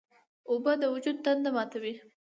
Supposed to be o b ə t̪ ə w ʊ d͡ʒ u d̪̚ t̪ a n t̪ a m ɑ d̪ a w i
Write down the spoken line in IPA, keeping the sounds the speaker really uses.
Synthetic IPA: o b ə d̪ ə w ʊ d͡ʒ u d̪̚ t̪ a n d̪ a m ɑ t̪ a w i